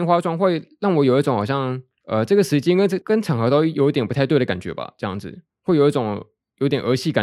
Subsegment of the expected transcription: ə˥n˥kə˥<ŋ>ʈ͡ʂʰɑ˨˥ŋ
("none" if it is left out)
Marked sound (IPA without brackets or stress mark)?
n